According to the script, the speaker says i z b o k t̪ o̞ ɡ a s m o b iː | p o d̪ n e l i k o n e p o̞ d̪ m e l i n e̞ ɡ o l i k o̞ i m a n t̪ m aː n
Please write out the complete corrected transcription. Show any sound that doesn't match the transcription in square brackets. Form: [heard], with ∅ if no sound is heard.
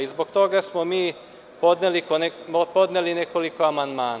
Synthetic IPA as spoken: i z b o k t̪ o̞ ɡ a s m o [m] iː | p o d̪ n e l i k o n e p o̞ d̪ [n] e l i n e̞ [k] o l i k o̞ [a] m a n [d̪] m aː n